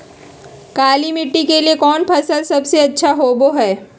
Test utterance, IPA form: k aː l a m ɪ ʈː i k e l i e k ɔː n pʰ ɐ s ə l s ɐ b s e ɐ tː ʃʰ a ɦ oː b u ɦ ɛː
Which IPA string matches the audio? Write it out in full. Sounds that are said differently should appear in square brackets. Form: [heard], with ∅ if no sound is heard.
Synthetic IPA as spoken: k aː l [i] m ɪ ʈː i k e l i e k ɔː n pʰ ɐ s ə l s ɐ b s e ɐ tː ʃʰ a ɦ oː b [o] ɦ ɛː